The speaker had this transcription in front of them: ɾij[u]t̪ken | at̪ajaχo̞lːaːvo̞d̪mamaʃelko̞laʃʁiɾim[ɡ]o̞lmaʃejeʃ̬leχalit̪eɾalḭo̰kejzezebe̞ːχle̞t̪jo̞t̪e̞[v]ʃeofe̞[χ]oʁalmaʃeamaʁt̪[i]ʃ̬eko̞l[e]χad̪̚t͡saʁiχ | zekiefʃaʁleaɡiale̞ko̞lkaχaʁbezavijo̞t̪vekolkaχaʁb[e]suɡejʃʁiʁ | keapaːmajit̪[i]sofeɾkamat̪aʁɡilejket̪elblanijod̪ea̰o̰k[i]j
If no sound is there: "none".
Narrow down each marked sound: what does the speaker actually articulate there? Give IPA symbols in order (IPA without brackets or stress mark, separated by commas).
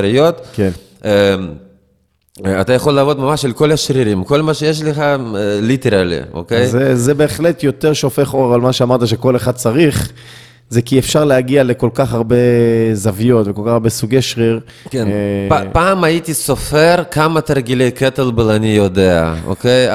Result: o, k, ʁ, χ, a, e, e, i, e